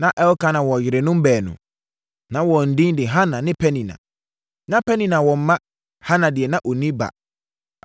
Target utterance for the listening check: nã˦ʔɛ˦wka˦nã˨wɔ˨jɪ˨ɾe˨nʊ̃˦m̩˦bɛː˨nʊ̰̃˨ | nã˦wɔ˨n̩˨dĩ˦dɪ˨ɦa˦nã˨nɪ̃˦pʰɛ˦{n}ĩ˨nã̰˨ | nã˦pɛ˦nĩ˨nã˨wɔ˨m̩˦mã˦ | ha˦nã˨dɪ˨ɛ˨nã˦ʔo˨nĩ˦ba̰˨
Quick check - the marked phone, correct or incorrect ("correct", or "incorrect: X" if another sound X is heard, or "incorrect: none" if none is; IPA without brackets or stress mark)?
correct